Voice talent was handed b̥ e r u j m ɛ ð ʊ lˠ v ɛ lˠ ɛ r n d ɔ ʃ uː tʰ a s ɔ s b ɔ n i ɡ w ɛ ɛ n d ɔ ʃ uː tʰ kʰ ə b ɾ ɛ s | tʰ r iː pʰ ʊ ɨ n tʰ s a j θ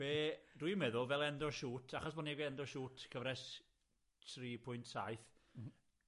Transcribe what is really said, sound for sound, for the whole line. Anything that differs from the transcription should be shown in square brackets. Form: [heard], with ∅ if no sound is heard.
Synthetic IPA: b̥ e r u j m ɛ ð ʊ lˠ v ɛ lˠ ɛ [∅] n d ɔ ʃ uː tʰ a [χ] ɔ s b ɔ n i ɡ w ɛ ɛ n d ɔ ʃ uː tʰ kʰ ə [v] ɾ ɛ s | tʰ r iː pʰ ʊ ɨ n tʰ s a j θ